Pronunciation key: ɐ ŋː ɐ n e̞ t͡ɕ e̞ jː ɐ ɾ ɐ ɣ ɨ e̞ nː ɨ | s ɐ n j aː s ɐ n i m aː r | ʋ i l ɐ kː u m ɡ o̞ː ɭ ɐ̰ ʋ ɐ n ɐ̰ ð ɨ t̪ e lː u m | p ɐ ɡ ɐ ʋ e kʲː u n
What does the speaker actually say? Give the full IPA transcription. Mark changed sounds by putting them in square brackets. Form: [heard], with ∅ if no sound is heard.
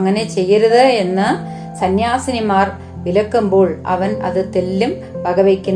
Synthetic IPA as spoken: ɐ ŋː ɐ n e̞ t͡ɕ e̞ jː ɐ ɾ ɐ [ð] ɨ e̞ nː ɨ | s ɐ n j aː s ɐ n i m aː r | ʋ i l ɐ kː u m [b] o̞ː ɭ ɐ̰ ʋ ɐ n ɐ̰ ð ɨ t̪ e lː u m | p ɐ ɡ ɐ ʋ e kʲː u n